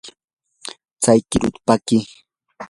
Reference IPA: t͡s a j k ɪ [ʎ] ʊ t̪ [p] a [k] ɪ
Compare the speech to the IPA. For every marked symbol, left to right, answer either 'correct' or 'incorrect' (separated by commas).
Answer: incorrect, correct, correct